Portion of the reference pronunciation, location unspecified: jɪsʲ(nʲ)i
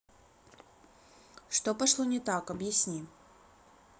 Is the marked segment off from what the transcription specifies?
no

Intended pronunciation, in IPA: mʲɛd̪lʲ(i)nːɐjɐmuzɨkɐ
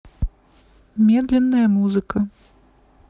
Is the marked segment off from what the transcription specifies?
yes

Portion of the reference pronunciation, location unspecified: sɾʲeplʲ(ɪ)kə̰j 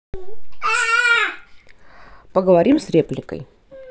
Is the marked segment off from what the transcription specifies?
no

